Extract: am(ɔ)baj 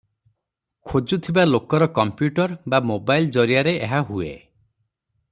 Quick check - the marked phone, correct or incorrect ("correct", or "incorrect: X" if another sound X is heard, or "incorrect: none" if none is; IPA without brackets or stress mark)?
incorrect: o